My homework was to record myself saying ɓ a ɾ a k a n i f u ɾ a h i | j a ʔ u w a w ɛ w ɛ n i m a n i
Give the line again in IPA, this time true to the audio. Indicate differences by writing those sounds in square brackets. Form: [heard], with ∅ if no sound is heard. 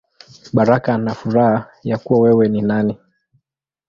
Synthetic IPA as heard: ɓ a ɾ a k a n [a] f u ɾ a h [a] | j a [k] u w a w ɛ w ɛ n i [n] a n i

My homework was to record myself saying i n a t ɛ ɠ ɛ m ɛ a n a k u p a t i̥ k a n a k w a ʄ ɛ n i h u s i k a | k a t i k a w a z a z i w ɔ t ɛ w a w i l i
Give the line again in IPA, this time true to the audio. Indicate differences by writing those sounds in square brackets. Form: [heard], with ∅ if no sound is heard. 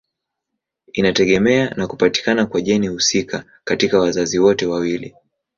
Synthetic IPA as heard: i n a t ɛ ɠ ɛ m ɛ a n a k u p a t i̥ k a n a k w a ʄ ɛ n i h u s i k a | k a t i k a w a z a z i w ɔ t ɛ w a w i l i

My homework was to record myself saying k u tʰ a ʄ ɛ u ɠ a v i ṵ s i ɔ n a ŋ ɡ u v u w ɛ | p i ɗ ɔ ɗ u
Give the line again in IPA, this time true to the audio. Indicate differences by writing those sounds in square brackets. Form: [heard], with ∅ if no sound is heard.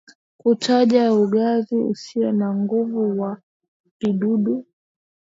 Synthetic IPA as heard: k u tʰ a ʄ [a] u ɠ a [z] i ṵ s i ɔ n a ŋ ɡ u v u w [a] | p i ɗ [u] ɗ u

